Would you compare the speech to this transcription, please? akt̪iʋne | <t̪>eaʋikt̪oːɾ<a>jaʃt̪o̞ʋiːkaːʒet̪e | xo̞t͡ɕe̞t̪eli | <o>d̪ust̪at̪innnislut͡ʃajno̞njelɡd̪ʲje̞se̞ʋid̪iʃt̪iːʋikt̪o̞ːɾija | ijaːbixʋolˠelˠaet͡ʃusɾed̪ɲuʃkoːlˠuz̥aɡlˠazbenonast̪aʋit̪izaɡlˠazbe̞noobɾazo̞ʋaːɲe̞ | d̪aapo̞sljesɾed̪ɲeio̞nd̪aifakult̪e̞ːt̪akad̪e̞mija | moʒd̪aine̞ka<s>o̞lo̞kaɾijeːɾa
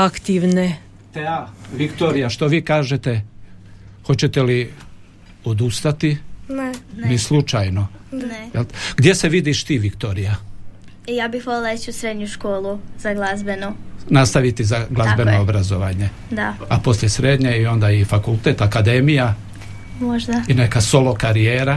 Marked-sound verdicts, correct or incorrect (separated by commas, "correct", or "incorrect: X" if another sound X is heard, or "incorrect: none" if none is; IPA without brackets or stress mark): correct, incorrect: i, correct, correct